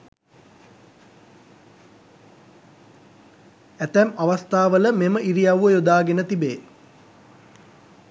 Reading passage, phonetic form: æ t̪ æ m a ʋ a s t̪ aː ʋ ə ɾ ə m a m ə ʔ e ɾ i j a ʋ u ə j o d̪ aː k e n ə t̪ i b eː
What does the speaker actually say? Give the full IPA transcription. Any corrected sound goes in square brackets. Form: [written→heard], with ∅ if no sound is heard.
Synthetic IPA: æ t̪ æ m a ʋ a s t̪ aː ʋ ə [ɾ→l] ə m [a→e] m ə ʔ [e→i] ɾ i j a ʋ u ə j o d̪ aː [k→ɡ] e n ə t̪ i b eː